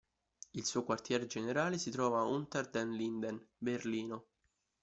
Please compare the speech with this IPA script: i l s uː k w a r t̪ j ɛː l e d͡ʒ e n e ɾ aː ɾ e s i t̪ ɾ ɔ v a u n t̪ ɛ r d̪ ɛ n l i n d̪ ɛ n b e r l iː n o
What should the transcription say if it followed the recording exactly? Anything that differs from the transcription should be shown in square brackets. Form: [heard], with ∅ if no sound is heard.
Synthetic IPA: i l s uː k w a r t̪ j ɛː [ɾ] e d͡ʒ e n e ɾ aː [l] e s i t̪ ɾ [ɔː] v a u n t̪ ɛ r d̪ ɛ n l i n d̪ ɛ n b e r l iː n o